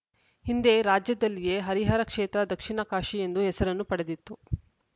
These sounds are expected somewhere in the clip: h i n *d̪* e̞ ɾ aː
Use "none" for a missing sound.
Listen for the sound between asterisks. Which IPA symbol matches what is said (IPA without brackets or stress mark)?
d̪